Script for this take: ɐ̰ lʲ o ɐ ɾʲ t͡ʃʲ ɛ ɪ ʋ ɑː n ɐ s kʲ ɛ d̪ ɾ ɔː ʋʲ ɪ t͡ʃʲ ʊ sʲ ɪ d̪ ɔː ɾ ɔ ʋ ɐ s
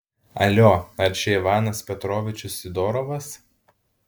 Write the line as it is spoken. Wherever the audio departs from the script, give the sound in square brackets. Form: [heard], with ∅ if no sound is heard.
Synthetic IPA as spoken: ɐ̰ lʲ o ɐ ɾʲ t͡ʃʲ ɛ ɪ ʋ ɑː n ɐ s [pʲ] ɛ [t̪] ɾ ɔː ʋʲ ɪ t͡ʃʲ ʊ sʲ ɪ d̪ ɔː ɾ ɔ ʋ ɐ s